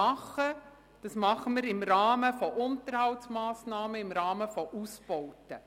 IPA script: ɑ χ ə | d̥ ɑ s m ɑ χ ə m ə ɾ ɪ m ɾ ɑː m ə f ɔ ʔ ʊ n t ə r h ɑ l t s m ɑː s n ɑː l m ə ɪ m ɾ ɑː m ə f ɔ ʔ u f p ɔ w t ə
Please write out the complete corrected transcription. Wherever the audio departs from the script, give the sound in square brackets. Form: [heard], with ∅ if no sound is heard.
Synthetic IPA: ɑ χ ə | d̥ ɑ s m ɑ χ ə m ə ɾ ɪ m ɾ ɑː m ə f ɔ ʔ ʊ n t ə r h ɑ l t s m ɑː s n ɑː [∅] m ə ɪ m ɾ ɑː m ə f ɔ ʔ u [s] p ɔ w t ə